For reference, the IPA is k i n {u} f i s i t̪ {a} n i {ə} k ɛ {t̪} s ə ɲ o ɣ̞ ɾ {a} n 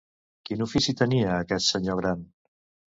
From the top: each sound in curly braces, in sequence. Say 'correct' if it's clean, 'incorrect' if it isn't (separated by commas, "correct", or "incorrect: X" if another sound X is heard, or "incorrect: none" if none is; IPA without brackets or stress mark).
correct, incorrect: ə, incorrect: əː, correct, correct